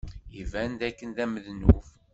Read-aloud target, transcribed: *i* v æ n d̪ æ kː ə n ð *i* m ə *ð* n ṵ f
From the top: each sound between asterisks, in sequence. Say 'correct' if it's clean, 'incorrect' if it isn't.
correct, incorrect, correct

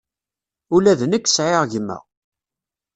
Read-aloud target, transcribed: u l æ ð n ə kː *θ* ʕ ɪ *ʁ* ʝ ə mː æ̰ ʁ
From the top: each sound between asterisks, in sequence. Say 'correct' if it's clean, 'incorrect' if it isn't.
incorrect, correct

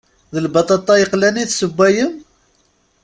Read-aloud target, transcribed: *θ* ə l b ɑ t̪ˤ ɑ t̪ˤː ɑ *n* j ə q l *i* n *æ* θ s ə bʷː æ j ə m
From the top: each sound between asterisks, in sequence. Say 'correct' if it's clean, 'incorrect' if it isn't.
incorrect, incorrect, incorrect, incorrect

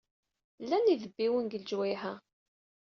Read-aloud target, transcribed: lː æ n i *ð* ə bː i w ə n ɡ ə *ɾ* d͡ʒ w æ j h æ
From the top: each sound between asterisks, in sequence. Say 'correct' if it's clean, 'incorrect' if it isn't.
correct, incorrect

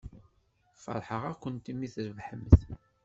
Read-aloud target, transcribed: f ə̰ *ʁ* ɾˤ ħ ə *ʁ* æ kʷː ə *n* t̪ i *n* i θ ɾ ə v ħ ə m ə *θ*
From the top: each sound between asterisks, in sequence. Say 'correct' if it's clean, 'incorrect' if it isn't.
incorrect, correct, correct, incorrect, correct

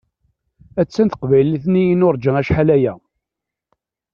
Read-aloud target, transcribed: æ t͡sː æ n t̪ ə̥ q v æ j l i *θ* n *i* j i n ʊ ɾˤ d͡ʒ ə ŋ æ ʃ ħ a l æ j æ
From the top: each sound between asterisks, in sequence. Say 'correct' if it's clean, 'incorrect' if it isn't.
correct, correct

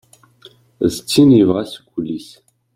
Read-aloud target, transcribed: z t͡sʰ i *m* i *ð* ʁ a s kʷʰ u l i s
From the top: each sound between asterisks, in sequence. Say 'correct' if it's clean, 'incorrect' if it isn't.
incorrect, incorrect

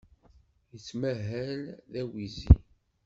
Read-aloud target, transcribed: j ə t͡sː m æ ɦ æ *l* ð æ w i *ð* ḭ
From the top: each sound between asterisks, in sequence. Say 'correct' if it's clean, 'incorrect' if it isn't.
correct, incorrect

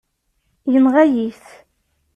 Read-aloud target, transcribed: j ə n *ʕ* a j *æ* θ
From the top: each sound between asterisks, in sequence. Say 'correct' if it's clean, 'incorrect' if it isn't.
incorrect, incorrect

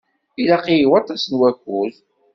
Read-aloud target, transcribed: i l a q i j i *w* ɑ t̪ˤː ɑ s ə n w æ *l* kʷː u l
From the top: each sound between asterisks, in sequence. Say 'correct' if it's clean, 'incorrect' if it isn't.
correct, incorrect

